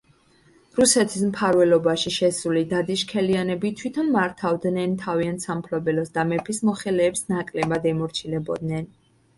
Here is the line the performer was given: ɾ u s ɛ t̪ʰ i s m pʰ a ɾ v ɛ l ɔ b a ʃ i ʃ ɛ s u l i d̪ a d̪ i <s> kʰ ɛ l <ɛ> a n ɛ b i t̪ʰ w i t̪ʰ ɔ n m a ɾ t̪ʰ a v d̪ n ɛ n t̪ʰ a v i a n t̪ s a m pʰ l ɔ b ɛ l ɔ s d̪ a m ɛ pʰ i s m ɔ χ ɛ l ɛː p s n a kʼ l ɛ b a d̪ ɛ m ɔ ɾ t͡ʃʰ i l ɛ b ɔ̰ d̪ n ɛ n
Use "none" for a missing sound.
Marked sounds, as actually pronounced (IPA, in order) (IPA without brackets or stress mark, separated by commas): ʃ, i